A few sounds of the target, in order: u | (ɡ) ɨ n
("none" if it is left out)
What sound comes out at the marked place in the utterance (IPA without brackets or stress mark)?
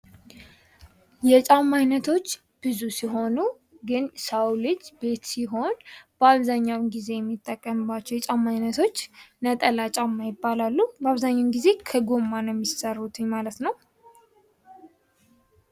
ɡ